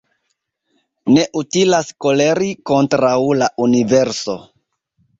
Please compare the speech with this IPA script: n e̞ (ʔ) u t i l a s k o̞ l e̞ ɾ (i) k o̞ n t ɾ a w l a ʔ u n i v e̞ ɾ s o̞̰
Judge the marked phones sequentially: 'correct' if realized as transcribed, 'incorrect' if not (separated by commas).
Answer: correct, correct